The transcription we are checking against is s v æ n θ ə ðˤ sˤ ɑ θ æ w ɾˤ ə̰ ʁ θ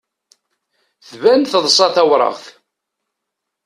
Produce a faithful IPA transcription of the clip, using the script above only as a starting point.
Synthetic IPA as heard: θ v æ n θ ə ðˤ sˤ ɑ θ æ w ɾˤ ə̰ ʁ θ